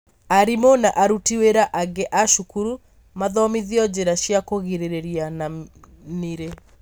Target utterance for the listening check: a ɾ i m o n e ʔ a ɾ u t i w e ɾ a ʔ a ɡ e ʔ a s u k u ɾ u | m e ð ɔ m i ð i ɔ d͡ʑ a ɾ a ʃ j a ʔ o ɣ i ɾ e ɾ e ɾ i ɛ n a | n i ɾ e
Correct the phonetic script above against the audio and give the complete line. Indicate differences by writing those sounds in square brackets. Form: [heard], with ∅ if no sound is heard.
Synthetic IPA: a ɾ i m o n [a] ʔ a ɾ u t i w e ɾ a ʔ a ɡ e ʔ a [ʃ] u k u ɾ u | m [a] ð ɔ m i ð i ɔ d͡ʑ [e] ɾ a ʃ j a [k] o ɣ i ɾ e ɾ e ɾ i [a] n a | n i ɾ e